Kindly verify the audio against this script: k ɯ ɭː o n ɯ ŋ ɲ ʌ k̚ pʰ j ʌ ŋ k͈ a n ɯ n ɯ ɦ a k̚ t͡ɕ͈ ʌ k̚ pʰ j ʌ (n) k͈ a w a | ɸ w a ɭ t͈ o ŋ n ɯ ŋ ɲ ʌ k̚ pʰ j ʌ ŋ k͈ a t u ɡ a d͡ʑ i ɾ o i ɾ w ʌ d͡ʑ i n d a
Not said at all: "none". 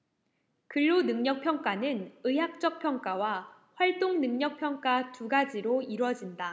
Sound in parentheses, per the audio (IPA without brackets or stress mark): ŋ